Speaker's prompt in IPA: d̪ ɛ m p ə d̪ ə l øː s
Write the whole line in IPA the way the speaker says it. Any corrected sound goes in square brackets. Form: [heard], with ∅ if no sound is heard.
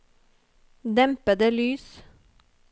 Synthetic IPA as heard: d̪ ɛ m p ə d̪ ə l [yː] s